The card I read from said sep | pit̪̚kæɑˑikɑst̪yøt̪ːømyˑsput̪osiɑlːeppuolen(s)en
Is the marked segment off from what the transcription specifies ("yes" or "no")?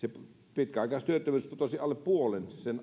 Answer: no